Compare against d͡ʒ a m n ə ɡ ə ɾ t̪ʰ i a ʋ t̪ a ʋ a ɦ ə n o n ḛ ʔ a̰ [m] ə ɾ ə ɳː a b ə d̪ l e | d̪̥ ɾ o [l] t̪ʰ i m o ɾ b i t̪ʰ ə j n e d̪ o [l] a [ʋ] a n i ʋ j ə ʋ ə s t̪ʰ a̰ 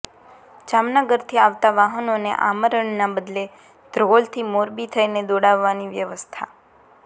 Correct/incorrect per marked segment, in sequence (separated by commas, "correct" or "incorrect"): correct, correct, incorrect, incorrect